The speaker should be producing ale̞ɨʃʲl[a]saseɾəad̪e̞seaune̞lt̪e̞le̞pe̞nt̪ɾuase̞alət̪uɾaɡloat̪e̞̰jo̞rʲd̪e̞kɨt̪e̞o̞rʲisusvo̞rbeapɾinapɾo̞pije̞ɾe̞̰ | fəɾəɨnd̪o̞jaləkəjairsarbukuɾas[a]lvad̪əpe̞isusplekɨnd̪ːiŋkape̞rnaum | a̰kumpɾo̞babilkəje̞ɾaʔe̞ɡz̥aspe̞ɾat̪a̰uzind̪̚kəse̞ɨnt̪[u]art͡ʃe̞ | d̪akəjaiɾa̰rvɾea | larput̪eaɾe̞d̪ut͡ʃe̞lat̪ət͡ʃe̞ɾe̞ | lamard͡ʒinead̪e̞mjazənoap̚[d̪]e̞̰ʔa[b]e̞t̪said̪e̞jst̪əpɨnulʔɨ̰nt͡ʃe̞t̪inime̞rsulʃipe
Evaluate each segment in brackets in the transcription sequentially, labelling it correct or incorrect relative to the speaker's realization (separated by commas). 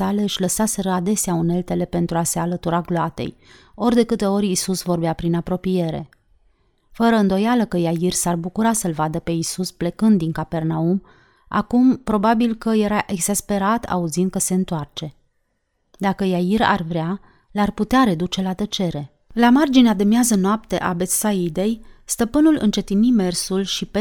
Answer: incorrect, incorrect, incorrect, incorrect, correct